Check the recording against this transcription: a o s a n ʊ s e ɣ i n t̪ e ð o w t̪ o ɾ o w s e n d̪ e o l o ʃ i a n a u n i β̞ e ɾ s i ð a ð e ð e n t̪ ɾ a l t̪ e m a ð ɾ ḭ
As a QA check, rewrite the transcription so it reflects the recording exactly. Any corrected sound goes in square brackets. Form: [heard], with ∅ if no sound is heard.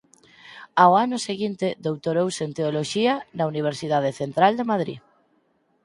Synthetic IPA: a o [∅] a n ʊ s e ɣ i n t̪ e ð o w t̪ o ɾ o w s e n [t̪] e o l o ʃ i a n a u n i β̞ e ɾ s i ð a ð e [θ] e n t̪ ɾ a l [d̪] e m a ð ɾ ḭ